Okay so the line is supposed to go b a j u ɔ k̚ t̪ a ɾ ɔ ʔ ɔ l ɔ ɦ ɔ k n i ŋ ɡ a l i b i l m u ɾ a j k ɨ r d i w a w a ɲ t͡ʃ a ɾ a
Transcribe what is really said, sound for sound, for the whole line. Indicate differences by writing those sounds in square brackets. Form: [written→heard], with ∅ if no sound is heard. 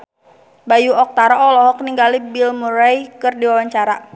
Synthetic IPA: b a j u ɔ k̚ t̪ a ɾ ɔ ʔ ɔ l ɔ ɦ ɔ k n i ŋ ɡ a l i b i l m u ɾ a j k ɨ r d i w a w a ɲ t͡ʃ a ɾ a